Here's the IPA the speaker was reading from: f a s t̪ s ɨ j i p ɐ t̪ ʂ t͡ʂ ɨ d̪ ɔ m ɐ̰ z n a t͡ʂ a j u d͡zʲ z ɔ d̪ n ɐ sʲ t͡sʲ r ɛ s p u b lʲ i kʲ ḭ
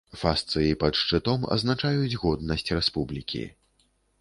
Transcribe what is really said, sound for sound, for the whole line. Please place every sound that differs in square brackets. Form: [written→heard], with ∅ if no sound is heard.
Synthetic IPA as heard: f a s t̪ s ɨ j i p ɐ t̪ ʂ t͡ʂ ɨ [d̪→t̪] ɔ m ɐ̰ z n a t͡ʂ a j u d͡zʲ [z→ɣ] ɔ d̪ n ɐ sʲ t͡sʲ r ɛ s p u b lʲ i kʲ ḭ